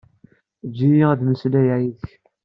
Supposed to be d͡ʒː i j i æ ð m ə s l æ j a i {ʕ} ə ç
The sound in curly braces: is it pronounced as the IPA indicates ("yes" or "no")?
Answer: no